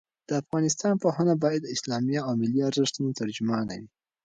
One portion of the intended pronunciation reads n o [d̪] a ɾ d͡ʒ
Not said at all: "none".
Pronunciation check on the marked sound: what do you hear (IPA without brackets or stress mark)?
t̪